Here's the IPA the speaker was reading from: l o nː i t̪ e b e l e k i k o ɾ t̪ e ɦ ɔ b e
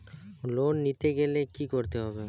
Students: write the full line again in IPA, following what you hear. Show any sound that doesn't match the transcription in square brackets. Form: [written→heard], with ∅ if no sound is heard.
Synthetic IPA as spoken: l o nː i t̪ e [b→ɡ] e l e k i k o ɾ t̪ e ɦ ɔ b e